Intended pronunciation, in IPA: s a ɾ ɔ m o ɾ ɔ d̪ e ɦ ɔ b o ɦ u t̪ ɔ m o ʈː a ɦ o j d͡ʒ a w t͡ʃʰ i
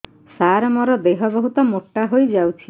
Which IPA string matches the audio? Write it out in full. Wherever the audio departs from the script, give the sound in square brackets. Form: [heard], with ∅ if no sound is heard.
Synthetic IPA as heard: s a ɾ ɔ m [ɔ] ɾ ɔ d̪ e ɦ ɔ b [ɔ] ɦ u t̪ ɔ m o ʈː a ɦ o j d͡ʒ a w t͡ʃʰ i